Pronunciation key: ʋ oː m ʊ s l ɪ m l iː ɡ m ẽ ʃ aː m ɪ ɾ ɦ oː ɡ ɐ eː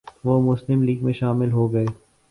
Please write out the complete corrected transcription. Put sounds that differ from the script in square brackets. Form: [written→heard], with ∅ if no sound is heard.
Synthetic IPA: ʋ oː m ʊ s l ɪ m l iː ɡ m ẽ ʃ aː m ɪ [ɾ→l] ɦ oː ɡ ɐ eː